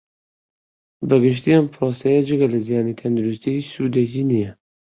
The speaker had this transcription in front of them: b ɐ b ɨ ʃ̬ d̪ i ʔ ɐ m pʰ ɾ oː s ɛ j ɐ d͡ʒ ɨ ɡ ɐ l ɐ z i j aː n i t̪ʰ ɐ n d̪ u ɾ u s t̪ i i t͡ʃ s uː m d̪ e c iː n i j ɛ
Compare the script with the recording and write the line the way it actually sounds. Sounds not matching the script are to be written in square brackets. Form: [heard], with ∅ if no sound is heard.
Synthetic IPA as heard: b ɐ [ɡ] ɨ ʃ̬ [t̪] i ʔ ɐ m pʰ ɾ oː s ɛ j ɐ d͡ʒ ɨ ɡ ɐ l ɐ z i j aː n i t̪ʰ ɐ n d̪ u ɾ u s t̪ i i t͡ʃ s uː [∅] d̪ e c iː n i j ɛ